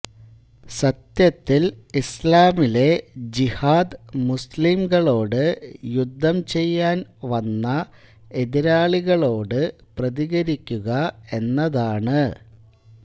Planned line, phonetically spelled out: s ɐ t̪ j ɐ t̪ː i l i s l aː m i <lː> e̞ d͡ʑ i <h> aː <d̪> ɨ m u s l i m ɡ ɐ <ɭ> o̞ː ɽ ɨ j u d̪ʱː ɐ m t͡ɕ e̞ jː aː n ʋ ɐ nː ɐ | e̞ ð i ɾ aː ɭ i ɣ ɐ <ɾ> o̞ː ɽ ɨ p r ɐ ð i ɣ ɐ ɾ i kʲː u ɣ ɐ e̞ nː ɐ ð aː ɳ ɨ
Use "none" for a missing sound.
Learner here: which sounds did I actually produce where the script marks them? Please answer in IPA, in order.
l, h, d̪, ɭ, ɭ

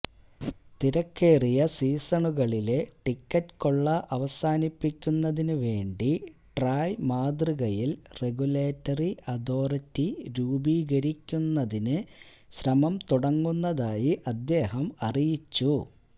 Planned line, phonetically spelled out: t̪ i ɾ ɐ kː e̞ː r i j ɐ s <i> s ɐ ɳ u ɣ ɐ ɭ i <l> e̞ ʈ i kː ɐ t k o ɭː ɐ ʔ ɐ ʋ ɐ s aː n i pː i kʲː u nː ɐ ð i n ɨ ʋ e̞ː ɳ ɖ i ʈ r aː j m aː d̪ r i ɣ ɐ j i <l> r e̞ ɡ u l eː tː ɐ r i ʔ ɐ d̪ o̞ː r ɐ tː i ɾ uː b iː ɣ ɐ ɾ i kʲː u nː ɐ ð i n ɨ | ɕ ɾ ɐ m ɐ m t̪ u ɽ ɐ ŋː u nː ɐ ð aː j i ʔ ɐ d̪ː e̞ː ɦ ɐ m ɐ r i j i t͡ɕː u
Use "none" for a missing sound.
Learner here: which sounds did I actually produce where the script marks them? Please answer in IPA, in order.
iː, l, l

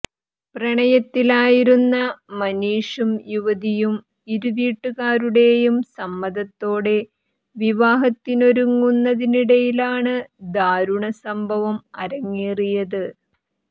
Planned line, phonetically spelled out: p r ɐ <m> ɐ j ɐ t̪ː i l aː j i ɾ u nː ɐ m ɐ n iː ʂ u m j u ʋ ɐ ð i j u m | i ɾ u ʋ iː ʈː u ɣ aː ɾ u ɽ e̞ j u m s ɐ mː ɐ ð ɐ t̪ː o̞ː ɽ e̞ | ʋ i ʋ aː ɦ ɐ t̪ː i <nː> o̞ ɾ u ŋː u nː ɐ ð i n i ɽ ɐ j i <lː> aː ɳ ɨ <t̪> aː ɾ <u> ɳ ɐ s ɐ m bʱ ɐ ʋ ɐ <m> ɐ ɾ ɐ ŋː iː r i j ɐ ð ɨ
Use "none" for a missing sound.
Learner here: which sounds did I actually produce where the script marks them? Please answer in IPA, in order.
ɳ, n, l, d̪, u, m

